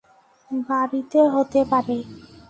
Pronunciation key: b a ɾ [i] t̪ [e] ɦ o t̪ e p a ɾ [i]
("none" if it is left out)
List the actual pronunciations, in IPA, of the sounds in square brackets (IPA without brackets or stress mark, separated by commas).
i, e, e